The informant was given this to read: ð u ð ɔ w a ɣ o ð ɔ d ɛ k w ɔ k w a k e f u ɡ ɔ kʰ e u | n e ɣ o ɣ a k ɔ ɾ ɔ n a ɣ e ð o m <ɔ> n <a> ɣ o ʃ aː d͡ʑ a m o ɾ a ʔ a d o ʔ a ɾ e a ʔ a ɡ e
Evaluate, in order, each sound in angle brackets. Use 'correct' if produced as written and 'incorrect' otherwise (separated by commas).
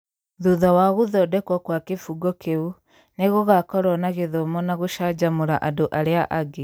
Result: correct, correct